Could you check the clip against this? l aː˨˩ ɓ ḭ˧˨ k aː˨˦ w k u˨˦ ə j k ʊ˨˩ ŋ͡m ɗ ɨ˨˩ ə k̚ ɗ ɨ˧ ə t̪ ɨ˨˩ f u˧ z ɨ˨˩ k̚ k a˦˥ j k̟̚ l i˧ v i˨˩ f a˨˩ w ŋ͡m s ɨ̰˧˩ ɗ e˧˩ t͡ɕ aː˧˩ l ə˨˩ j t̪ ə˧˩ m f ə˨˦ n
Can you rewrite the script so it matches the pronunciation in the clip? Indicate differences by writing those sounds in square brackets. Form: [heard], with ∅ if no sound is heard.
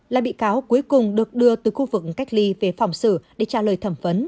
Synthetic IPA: l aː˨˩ ɓ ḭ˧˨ k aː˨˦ w k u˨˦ ə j k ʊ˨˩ ŋ͡m ɗ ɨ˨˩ ə k̚ ɗ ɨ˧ ə t̪ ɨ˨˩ [x] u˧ [v] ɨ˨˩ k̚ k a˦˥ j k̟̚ l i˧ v [e˨˩] f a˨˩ w ŋ͡m s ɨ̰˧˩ ɗ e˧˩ t͡ɕ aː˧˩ l [əː˨˩] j [t̪ʰ] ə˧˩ m f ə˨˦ n